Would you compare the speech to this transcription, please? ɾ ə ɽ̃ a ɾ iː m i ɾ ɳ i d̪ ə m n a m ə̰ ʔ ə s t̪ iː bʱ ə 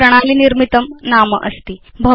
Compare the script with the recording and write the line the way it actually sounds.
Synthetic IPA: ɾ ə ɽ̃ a l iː n i ɾ m i t̪ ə m n a m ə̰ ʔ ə s t̪ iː bʱ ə